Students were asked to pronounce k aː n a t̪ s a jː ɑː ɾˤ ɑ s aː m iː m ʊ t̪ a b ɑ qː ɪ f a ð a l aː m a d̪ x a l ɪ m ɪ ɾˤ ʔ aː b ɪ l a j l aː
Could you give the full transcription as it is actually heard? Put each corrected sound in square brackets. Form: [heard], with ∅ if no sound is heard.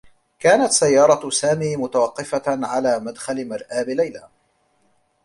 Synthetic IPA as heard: k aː n a t̪ s a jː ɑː ɾˤ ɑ s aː m iː m ʊ t̪ a [w] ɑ qː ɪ f a [ʕ] a l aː m a d̪ x a l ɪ m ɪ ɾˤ ʔ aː b ɪ l a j l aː